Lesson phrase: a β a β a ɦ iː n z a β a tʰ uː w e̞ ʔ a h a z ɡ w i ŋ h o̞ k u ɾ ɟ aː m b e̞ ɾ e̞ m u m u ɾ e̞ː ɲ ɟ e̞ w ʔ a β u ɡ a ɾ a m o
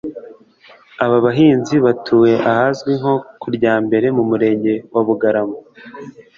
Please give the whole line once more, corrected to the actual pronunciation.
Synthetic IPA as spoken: a β a β a ɦ iː n z i β a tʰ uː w e̞ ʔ a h a z ɡ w i ŋ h o̞ k u ɾ ɟ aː m b e̞ ɾ e̞ m u m u ɾ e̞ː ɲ ɟ e̞ w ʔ a β u ɡ a ɾ a m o